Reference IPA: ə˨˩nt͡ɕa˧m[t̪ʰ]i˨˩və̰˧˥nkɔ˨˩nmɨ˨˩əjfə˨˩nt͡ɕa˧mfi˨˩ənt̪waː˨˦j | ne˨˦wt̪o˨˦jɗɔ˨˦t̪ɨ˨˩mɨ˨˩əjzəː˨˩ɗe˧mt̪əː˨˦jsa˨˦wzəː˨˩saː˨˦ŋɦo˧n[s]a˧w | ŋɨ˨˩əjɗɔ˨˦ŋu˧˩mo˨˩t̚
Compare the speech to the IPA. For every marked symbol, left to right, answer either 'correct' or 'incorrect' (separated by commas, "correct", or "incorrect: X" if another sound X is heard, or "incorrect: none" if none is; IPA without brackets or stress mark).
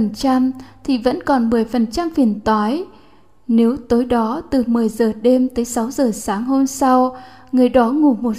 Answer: correct, correct